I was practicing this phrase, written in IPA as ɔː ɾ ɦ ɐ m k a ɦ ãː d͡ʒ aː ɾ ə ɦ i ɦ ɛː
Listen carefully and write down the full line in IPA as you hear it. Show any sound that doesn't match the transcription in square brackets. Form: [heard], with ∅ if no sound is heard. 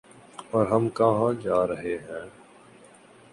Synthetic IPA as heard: ɔː ɾ ɦ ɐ m k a ɦ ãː d͡ʒ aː ɾ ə ɦ [e] ɦ [ɛ̃ː]